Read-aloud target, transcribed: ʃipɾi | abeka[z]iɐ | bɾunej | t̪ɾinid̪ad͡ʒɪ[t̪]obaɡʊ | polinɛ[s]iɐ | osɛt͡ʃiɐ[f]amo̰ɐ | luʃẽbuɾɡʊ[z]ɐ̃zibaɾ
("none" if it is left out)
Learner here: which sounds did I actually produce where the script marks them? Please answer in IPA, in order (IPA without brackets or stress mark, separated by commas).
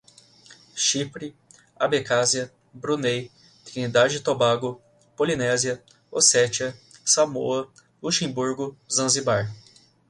z, t̪, z, s, z